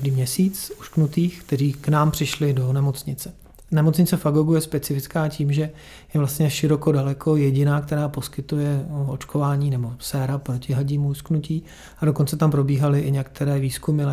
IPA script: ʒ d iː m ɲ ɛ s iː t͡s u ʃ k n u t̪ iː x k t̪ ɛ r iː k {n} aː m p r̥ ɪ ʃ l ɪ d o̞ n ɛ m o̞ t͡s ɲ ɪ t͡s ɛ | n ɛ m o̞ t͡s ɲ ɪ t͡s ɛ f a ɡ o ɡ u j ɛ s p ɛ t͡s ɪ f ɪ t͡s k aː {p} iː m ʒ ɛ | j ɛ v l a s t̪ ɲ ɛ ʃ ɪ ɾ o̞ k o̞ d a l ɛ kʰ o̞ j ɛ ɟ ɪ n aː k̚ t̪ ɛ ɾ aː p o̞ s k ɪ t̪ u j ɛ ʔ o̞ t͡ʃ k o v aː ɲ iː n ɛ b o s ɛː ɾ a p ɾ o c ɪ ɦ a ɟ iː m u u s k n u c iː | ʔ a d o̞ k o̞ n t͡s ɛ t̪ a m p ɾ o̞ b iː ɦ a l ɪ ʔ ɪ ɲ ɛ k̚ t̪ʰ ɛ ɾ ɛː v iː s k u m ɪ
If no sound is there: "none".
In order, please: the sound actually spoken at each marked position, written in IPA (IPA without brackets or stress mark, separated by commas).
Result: n, c